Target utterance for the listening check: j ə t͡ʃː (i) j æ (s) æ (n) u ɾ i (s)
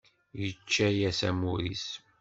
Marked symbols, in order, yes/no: no, yes, no, yes

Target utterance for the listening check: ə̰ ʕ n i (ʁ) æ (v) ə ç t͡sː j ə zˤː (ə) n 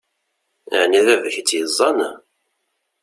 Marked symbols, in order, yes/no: no, yes, no

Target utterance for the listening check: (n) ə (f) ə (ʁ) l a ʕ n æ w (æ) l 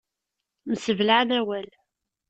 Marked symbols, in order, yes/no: no, no, no, yes

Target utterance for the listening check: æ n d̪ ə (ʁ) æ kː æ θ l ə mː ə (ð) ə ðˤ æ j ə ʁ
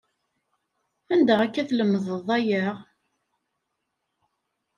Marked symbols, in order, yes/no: yes, yes

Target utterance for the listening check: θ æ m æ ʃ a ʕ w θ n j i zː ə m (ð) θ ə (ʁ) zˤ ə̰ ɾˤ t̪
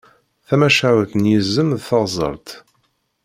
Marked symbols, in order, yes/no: yes, yes

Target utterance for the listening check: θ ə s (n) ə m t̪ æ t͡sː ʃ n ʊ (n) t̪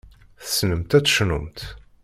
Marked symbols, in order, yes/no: yes, no

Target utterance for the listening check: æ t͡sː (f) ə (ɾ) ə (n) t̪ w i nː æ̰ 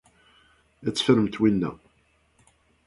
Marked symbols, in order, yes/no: yes, yes, no

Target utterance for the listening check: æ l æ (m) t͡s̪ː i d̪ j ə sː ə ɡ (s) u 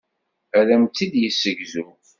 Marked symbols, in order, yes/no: yes, no

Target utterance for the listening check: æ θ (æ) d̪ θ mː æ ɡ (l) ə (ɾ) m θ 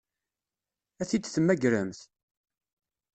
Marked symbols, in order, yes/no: no, no, no

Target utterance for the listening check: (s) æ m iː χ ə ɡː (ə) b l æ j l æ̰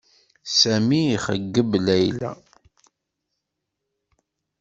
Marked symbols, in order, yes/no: yes, yes

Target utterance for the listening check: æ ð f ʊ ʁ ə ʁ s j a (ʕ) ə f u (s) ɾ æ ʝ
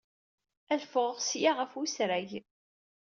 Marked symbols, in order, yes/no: no, yes

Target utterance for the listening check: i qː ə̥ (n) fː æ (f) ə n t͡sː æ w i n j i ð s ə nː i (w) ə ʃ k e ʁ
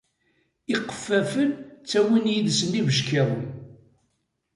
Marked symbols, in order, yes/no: no, yes, no

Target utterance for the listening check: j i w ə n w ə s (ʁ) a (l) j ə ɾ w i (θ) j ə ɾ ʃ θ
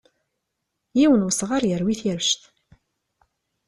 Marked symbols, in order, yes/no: yes, no, yes

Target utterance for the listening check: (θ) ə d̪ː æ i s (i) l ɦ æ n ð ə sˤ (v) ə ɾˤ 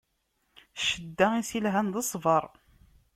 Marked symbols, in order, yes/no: no, yes, yes

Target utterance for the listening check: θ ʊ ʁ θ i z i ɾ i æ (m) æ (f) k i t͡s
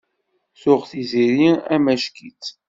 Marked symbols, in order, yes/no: yes, no

